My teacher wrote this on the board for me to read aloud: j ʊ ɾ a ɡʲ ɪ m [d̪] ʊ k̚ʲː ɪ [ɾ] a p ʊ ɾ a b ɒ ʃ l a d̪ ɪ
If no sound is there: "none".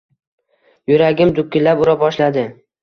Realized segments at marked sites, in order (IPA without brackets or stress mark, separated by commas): d̪, l